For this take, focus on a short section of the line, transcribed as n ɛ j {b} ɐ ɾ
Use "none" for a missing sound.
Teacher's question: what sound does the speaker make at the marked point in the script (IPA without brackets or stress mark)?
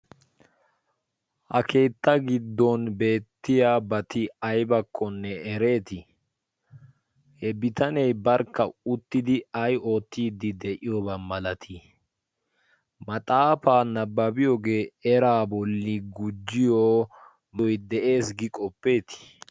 b